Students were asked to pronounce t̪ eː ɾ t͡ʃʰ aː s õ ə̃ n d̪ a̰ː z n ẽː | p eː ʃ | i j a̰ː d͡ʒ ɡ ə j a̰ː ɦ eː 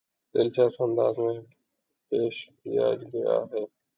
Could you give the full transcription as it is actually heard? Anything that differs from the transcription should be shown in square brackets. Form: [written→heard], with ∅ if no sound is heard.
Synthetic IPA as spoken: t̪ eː [ɾ→l] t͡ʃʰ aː s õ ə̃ n d̪ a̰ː z [n→m] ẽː | p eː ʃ | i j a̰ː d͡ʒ ɡ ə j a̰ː ɦ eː